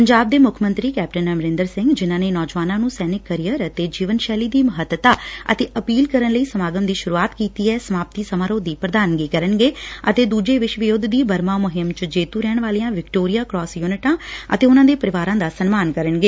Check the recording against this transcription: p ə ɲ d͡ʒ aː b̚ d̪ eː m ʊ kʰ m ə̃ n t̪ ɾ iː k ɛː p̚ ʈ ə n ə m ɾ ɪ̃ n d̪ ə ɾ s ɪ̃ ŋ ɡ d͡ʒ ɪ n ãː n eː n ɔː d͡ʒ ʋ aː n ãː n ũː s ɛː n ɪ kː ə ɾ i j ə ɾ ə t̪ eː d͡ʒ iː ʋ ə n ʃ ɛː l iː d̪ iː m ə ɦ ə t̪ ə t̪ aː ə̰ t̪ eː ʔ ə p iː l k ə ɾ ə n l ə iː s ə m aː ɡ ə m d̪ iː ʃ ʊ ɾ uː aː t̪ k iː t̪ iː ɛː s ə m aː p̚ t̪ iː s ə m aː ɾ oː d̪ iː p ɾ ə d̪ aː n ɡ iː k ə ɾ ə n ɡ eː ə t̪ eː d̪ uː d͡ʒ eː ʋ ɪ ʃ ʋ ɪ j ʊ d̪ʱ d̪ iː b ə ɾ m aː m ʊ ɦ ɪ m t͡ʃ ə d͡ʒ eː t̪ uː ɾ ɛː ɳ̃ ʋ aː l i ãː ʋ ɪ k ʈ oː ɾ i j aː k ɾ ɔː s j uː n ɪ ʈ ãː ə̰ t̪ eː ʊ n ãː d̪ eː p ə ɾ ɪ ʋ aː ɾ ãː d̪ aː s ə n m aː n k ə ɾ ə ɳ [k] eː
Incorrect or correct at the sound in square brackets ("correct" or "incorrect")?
incorrect